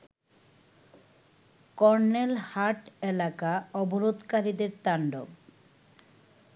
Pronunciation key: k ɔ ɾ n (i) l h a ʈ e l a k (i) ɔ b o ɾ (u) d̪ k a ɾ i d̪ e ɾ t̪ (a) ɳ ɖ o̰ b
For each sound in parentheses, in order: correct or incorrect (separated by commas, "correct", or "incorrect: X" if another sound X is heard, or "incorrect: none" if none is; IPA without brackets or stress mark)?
incorrect: e, incorrect: a, incorrect: o, correct